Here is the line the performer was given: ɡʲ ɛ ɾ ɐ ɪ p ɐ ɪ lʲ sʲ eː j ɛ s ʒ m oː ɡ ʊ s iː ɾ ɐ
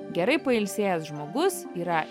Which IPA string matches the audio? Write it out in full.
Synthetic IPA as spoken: ɡʲ ɛ ɾ ɐ ɪ p ɐ ɪ lʲ sʲ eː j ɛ s ʒ m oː ɡ ʊ s iː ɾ ɐ

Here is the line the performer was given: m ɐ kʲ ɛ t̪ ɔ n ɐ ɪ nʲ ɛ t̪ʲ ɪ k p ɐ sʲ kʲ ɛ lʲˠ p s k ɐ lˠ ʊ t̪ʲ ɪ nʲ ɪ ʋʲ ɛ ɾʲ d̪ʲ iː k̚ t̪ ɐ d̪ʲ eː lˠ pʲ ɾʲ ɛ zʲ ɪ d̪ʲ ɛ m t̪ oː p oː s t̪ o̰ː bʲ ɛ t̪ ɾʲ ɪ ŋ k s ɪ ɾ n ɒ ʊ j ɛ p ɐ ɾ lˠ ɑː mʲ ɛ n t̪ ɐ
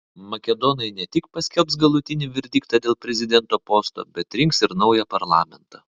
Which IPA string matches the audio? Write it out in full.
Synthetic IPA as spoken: m ɐ kʲ ɛ d̪ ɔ n ɐ ɪ nʲ ɛ t̪ʲ ɪ k p ɐ sʲ kʲ ɛ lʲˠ p s ɡ ɐ lˠ ʊ t̪ʲ ɪ nʲ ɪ ʋʲ ɛ ɾʲ d̪ʲ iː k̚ t̪ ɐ d̪ʲ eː lˠ pʲ ɾʲ ɛ zʲ ɪ d̪ʲ ɛ n t̪ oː p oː s t̪ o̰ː bʲ ɛ t̪ ɾʲ ɪ ŋ k s ɪ ɾ n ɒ ʊ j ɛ p ɐ ɾ lˠ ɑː mʲ ɛ n t̪ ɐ

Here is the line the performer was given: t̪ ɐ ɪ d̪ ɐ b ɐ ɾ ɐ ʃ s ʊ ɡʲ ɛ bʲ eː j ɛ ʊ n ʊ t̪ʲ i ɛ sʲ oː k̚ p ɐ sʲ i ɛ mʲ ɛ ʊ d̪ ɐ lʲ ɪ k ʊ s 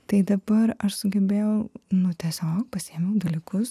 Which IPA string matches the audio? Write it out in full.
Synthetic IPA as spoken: t̪ ɐ ɪ d̪ ɐ b ɐ ɾ ɐ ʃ s ʊ ɡʲ ɛ bʲ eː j ɛ ʊ n ʊ t̪ʲ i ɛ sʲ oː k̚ p ɐ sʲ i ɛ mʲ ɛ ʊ d̪ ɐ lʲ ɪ k ʊ s

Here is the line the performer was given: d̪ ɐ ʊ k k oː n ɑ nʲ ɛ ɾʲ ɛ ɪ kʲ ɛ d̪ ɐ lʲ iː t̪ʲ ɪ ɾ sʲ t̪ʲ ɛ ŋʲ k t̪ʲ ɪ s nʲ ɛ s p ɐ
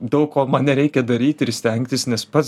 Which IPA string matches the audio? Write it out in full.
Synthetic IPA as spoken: d̪ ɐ ʊ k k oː m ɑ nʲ ɛ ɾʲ ɛ ɪ kʲ ɛ d̪ ɐ ɾʲ iː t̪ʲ ɪ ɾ sʲ t̪ʲ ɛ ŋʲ k t̪ʲ ɪ s nʲ ɛ s p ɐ

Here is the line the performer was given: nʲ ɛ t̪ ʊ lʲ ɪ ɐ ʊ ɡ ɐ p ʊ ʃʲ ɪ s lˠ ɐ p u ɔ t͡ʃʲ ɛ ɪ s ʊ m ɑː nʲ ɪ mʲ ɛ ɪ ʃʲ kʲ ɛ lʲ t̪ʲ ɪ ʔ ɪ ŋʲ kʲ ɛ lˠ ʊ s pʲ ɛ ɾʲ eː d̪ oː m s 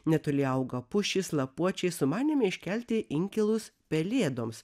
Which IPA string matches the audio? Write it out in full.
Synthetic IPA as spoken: nʲ ɛ t̪ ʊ lʲ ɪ ɐ ʊ ɡ ɐ p ʊ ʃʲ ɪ s lˠ ɐ p u ɔ t͡ʃʲ ɛ ɪ s ʊ m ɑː nʲ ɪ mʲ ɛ ɪ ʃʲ kʲ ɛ lʲ t̪ʲ ɪ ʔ ɪ ŋʲ kʲ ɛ lˠ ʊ s pʲ ɛ lʲ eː d̪ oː m s

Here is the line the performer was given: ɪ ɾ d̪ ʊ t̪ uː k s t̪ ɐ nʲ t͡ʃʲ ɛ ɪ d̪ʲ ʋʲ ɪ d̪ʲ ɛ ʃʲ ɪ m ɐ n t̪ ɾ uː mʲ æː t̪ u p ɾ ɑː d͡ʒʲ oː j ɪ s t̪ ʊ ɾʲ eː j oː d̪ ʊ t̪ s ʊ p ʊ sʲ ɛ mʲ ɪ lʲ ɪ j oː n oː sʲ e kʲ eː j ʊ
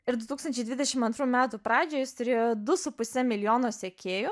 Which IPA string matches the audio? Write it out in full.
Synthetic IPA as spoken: ɪ ɾ d̪ ʊ t̪ uː k s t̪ ɐ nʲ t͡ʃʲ ɛ ɪ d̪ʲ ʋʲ ɪ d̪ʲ ɛ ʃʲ ɪ m ɐ n t̪ ɾ uː mʲ æː t̪ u p ɾ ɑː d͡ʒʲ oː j ɪ s t̪ ʊ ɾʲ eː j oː d̪ ʊ s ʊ p ʊ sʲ ɛ mʲ ɪ lʲ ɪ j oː n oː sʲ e kʲ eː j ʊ

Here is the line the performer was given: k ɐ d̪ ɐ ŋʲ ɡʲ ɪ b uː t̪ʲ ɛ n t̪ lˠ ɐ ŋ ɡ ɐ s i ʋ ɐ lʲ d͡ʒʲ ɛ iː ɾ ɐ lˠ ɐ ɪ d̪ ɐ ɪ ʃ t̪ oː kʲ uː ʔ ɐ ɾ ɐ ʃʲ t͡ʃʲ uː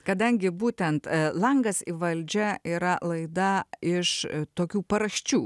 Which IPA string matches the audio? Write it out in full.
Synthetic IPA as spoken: k ɐ d̪ ɐ ŋʲ ɡʲ ɪ b uː t̪ʲ ɛ n t̪ lˠ ɐ ŋ ɡ ɐ s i ʋ ɐ lʲ d͡ʒʲ ɛ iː ɾ ɐ lˠ ɐ ɪ d̪ ɐ ɪ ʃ t̪ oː kʲ uː p ɐ ɾ ɐ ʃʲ t͡ʃʲ uː

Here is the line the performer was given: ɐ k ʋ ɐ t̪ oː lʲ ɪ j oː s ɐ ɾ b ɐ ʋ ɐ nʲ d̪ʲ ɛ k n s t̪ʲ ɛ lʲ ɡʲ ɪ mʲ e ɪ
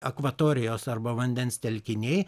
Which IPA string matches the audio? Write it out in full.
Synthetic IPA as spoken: ɐ k ʋ ɐ t̪ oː ɾʲ ɪ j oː s ɐ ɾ b ɐ ʋ ɐ nʲ d̪ʲ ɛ n s t̪ʲ ɛ lʲ kʲ ɪ nʲ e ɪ

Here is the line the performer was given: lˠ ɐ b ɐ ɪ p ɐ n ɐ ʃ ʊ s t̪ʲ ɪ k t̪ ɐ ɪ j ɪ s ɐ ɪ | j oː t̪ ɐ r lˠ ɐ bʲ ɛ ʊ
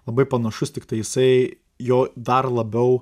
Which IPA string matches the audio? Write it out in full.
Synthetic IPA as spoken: lˠ ɐ b ɐ ɪ p ɐ n ɐ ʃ ʊ s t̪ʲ ɪ k t̪ ɐ ɪ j ɪ s ɐ ɪ | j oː d̪ ɐ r lˠ ɐ bʲ ɛ ʊ

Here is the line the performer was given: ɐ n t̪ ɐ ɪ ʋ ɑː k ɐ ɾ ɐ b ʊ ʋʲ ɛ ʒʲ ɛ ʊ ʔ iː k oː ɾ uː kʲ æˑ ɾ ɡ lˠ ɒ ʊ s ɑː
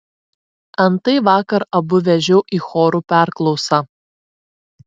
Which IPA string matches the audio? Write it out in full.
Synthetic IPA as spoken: ɐ n t̪ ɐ ɪ ʋ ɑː k ɐ ɾ ɐ b ʊ ʋʲ ɛ ʒʲ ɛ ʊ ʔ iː x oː ɾ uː pʲ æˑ ɾ k lˠ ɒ ʊ s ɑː

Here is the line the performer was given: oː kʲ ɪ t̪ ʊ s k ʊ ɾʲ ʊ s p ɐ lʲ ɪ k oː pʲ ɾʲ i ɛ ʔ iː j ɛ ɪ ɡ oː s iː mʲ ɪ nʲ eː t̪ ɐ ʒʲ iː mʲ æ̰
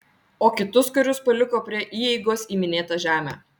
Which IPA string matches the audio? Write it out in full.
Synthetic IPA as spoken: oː kʲ ɪ t̪ ʊ s k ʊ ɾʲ ʊ s p ɐ lʲ ɪ k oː pʲ ɾʲ i ɛ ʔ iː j ɛ ɪ ɡ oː s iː mʲ ɪ nʲ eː t̪ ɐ ʒʲ æː mʲ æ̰

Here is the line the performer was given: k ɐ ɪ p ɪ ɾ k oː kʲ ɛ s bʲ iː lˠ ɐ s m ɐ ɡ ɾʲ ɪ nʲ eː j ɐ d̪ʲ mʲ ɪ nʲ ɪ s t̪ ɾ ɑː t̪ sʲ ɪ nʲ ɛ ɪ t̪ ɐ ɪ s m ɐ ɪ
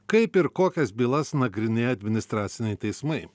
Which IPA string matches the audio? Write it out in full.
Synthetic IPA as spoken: k ɐ ɪ p ɪ ɾ k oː kʲ ɛ s bʲ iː lˠ ɐ s n ɐ ɡ ɾʲ ɪ nʲ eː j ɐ d̪ʲ mʲ ɪ nʲ ɪ s t̪ ɾ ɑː t̪ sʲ ɪ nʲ ɛ ɪ t̪ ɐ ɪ s m ɐ ɪ

